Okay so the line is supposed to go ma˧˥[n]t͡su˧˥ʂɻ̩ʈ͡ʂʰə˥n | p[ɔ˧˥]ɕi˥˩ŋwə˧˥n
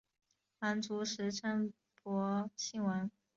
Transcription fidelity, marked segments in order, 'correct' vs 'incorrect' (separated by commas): correct, correct